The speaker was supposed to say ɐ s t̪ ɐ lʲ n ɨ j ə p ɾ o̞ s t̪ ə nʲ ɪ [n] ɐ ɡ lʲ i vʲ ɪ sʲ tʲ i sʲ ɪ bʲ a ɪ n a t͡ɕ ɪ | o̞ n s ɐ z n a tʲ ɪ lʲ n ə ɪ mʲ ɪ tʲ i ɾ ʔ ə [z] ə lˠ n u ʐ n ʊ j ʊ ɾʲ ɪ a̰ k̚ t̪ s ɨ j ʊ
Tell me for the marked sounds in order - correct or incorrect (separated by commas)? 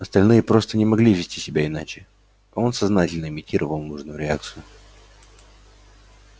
incorrect, incorrect